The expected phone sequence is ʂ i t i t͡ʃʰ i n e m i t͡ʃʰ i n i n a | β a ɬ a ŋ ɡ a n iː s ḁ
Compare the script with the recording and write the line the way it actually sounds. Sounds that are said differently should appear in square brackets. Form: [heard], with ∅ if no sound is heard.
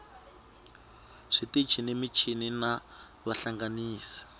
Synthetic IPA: ʂ i t i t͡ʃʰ i n e m i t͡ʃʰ i n i n a | β a ɬ a ŋ ɡ a n iː s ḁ